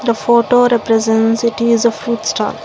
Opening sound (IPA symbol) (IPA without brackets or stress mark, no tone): d̪